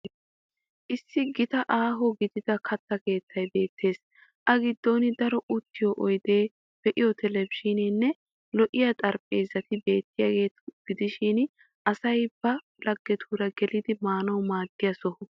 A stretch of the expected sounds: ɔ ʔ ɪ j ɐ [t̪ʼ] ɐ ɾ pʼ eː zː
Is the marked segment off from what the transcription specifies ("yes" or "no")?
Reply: no